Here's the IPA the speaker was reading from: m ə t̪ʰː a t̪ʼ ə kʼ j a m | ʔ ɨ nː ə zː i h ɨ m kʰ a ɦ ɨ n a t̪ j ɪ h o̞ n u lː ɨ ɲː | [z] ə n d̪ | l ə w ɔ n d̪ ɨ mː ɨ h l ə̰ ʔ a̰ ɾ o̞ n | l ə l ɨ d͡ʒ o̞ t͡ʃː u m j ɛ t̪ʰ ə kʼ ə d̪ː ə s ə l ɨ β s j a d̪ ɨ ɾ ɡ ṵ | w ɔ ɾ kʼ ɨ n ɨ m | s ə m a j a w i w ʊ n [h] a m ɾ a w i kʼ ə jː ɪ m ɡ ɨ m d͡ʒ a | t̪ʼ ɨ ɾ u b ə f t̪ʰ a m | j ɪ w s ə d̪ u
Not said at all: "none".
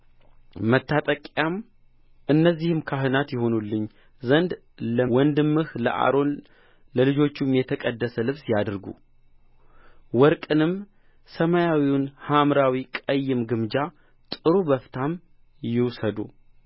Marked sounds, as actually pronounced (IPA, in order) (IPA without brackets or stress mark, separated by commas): z, h